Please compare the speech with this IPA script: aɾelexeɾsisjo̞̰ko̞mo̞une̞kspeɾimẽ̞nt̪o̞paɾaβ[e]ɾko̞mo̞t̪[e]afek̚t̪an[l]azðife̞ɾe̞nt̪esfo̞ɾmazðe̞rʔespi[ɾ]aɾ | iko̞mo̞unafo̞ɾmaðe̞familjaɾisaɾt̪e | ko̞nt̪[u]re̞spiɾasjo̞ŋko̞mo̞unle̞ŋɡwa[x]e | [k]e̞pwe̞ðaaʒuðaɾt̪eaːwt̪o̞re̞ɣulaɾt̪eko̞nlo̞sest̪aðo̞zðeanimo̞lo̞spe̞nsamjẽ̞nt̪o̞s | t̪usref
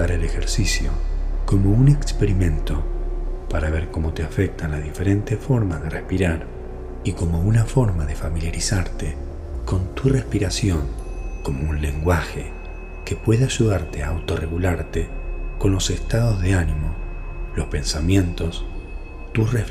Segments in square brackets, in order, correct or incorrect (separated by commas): correct, correct, correct, correct, correct, correct, correct